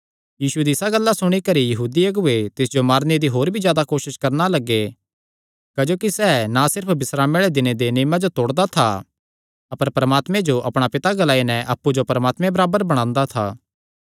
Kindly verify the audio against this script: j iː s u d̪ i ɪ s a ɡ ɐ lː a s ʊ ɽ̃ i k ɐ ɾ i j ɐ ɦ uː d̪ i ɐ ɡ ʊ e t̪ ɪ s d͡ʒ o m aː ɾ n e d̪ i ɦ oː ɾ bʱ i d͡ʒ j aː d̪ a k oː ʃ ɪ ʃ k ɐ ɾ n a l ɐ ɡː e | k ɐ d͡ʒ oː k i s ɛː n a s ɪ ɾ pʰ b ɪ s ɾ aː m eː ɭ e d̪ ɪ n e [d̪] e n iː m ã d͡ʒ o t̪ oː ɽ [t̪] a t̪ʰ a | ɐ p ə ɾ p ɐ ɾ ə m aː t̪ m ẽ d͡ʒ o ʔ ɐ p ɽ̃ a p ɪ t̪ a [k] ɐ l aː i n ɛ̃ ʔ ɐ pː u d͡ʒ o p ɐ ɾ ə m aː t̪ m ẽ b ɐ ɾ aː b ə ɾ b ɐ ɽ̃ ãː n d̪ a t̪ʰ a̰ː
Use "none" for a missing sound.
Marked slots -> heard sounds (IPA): d̪, d̪, ɡ

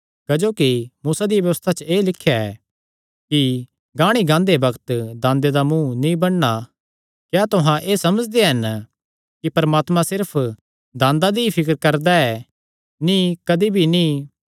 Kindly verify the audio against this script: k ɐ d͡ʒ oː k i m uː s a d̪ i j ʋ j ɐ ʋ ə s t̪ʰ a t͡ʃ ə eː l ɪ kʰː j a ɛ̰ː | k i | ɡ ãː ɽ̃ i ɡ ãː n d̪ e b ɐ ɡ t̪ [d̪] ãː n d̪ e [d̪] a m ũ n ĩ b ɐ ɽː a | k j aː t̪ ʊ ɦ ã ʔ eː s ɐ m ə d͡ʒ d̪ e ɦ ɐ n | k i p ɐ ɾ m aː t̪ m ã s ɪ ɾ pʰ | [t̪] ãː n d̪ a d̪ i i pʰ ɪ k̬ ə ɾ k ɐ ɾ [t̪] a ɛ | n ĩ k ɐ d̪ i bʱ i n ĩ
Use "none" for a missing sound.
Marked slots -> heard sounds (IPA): d̪, d̪, d̪, d̪

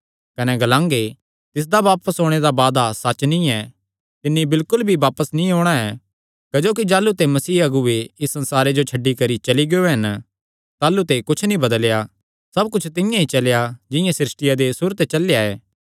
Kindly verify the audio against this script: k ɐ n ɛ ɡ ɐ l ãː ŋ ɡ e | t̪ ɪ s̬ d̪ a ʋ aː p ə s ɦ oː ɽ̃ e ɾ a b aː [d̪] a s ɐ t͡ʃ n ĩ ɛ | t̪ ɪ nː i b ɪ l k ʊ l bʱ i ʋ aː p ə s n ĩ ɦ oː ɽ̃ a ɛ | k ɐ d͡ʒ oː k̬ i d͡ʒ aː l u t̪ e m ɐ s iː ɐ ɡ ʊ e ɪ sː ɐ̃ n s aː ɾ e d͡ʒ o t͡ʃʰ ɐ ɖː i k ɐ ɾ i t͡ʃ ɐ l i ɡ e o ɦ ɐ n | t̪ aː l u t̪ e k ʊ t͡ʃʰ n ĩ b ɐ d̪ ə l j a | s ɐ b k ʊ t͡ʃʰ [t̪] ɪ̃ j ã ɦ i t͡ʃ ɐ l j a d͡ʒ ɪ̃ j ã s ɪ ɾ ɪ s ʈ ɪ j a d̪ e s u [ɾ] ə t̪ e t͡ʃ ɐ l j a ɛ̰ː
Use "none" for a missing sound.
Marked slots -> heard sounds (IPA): d̪, t̪, ɾ

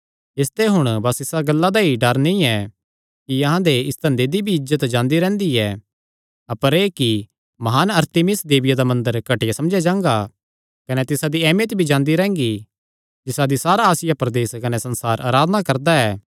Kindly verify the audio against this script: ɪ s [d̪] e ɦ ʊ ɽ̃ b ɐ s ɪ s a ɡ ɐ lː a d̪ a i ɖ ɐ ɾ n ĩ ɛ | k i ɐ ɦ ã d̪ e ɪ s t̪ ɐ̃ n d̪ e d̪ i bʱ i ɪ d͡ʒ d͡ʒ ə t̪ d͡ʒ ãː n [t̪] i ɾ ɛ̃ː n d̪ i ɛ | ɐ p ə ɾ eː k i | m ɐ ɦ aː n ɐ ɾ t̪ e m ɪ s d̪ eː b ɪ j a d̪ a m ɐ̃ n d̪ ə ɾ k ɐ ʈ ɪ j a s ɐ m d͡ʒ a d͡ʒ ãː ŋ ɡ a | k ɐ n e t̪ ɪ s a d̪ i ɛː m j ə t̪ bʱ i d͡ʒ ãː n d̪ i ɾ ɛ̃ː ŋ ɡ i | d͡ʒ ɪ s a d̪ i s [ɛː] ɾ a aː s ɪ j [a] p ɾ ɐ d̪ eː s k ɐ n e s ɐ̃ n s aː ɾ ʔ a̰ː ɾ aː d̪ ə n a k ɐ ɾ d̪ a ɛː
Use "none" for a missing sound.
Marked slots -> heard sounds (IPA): t̪, d̪, aː, a

